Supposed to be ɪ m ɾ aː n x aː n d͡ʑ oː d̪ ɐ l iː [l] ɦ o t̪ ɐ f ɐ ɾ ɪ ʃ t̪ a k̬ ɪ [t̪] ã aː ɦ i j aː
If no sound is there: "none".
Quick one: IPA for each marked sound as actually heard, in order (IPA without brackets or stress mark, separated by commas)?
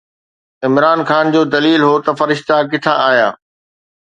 l, t̪ʰ